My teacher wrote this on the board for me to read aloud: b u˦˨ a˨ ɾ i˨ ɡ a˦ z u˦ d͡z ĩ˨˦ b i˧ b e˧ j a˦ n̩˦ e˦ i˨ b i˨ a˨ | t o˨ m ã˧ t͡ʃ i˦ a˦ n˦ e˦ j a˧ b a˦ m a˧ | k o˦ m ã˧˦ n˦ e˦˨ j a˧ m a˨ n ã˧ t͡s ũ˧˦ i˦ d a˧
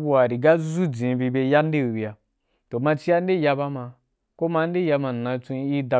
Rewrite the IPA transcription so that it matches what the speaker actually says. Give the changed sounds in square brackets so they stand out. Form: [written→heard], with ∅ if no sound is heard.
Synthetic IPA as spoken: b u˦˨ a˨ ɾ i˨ ɡ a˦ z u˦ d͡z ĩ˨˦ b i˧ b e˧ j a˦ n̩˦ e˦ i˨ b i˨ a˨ | t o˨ m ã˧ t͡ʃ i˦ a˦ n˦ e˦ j a˧ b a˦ m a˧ | k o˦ m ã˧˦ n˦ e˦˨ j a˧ m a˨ n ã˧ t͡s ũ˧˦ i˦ d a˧